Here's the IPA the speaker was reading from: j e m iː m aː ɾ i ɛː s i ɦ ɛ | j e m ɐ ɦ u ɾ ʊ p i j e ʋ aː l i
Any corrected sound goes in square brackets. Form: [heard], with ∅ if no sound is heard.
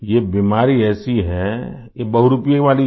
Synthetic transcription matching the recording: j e [b] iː m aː ɾ i ɛː s i ɦ ɛ | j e [b] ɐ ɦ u ɾ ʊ p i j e ʋ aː l i